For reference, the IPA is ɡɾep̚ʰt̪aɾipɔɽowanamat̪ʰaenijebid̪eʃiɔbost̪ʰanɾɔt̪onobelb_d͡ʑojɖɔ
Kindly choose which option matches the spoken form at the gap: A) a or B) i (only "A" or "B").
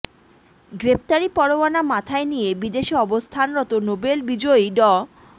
B